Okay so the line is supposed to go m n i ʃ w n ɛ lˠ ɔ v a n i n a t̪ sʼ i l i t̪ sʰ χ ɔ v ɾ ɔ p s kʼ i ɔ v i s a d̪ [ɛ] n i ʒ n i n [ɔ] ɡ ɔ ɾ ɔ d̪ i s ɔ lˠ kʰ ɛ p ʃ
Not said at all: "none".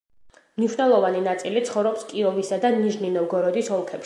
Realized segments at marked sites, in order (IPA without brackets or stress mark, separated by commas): a, ɔ